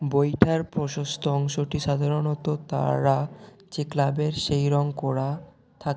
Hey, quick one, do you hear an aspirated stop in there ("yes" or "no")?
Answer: yes